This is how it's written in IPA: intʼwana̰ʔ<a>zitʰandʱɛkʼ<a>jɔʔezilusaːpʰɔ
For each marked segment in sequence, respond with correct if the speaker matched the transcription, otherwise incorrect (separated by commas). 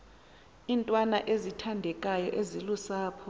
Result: incorrect, correct